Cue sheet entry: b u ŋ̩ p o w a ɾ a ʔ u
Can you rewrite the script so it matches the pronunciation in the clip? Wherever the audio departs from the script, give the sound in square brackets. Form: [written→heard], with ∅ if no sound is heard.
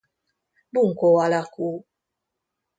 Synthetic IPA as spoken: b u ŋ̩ [p→k] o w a [ɾ→l] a [ʔ→k] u